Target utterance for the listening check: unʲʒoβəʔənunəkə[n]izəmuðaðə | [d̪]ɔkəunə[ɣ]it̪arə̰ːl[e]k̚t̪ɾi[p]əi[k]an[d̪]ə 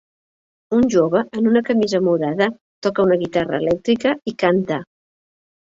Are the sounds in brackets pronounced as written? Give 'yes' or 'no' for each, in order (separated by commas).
no, no, yes, no, no, yes, no